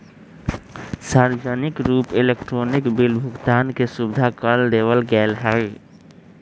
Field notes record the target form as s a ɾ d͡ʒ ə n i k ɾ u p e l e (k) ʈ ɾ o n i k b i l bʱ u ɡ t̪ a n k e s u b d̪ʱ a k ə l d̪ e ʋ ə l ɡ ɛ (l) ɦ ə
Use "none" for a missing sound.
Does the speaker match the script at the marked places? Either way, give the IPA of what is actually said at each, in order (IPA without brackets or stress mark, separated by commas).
k, l